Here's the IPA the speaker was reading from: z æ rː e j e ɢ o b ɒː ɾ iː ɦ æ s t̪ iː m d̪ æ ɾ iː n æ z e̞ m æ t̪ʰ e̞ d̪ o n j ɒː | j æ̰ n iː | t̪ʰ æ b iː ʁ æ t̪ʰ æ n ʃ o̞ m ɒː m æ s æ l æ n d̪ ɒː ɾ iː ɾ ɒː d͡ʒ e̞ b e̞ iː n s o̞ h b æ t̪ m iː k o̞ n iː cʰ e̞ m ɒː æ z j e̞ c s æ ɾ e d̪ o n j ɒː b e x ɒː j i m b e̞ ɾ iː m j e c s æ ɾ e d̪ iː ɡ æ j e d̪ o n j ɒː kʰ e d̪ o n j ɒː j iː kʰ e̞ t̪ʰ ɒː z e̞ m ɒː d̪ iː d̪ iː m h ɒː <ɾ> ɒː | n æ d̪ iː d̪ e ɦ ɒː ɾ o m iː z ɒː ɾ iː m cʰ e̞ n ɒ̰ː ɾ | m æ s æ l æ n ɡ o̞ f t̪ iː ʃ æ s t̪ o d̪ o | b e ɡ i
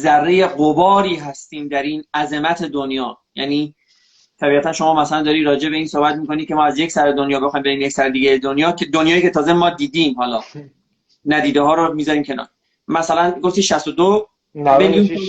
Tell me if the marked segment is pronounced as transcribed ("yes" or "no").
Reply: no